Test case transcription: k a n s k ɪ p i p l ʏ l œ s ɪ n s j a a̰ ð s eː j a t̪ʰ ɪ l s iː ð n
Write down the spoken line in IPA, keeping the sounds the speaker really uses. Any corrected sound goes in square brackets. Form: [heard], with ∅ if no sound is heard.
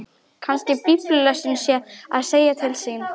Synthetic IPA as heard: [kʰ] a n s [c] ɪ p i p l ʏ l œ s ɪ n s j [ɛ] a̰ ð s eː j a t̪ʰ ɪ l s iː [∅] n